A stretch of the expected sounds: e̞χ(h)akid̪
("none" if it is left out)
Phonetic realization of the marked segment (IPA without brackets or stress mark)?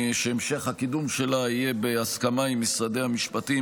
h